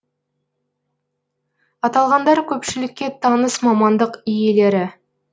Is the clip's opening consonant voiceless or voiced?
voiceless